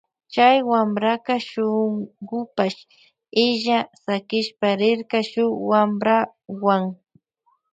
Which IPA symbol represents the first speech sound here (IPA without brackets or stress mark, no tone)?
t͡ʃ